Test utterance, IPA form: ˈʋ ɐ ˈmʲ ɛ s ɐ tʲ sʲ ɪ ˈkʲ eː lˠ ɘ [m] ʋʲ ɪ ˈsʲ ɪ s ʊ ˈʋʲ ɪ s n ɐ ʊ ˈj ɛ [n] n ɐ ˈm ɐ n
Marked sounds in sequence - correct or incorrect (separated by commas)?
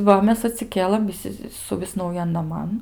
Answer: correct, correct